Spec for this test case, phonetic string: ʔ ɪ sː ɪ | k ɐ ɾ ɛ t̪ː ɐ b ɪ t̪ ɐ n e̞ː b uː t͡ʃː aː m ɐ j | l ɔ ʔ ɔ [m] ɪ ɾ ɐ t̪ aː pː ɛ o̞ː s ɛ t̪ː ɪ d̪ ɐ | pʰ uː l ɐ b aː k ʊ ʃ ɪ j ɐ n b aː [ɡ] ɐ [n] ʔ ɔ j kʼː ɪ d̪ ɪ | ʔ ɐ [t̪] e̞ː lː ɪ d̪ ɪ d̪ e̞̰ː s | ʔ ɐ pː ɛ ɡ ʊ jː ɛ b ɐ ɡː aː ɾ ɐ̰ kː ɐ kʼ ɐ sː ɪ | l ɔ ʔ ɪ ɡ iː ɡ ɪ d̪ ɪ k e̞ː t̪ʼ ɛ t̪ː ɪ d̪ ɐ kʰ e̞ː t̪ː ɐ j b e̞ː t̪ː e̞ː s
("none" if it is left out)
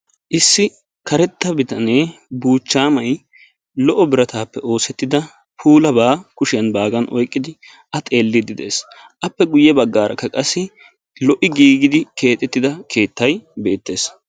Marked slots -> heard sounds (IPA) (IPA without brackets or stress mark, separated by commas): b, ɡ, n, t̪ʼ